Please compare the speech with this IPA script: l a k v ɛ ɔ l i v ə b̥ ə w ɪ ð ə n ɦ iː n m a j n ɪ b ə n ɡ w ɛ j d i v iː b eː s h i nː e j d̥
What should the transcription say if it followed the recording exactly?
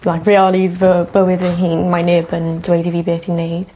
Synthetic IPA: l a k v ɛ ɔ l i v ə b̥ ə w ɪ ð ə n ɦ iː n m a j n ɪ b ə n d w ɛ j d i v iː b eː θ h i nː e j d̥